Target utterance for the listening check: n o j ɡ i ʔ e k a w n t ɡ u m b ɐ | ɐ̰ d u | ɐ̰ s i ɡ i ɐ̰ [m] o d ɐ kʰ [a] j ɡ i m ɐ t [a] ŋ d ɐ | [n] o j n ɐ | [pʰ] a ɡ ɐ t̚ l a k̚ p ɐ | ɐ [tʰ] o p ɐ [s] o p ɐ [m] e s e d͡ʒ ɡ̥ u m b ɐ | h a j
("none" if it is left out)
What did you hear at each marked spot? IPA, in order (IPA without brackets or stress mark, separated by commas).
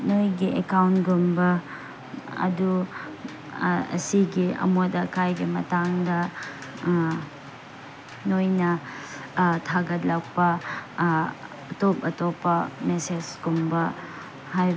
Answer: m, a, a, n, tʰ, t, t, m